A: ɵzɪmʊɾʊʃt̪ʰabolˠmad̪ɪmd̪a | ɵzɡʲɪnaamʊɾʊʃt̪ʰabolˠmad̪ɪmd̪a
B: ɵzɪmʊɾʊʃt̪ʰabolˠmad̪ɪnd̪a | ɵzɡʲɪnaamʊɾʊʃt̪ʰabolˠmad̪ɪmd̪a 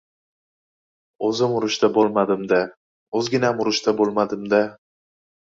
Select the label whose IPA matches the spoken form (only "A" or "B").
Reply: A